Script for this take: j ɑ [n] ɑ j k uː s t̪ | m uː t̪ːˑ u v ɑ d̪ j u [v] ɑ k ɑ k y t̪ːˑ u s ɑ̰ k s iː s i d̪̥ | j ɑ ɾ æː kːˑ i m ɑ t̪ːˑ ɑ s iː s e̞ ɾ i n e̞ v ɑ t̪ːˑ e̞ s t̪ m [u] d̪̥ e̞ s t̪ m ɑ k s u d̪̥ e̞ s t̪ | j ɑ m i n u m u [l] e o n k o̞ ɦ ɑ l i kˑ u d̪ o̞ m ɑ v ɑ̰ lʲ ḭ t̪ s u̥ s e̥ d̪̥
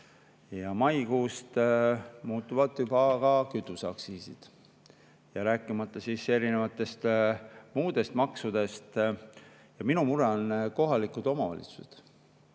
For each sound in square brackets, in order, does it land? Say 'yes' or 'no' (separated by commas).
no, no, no, no